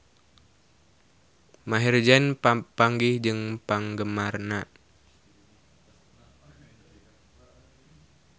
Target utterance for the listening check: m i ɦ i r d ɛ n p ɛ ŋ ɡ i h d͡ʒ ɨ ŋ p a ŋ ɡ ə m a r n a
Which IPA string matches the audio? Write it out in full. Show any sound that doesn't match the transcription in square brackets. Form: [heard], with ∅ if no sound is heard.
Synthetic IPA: m [a] ɦ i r [d͡ʒ] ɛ n p [a] ŋ ɡ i h d͡ʒ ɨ ŋ p a ŋ ɡ ə m a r n a